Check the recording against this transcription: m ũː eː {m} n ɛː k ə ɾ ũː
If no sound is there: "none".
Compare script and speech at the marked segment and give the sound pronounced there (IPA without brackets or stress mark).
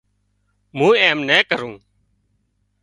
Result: m